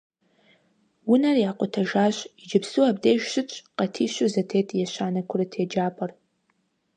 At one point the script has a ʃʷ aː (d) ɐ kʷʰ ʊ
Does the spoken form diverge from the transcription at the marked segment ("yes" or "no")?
yes